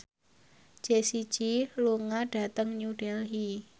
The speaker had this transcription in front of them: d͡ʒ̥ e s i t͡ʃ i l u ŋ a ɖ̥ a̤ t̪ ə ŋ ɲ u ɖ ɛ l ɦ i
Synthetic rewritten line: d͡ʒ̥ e s i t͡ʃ i l u ŋ a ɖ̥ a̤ t̪ ə ŋ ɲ u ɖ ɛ l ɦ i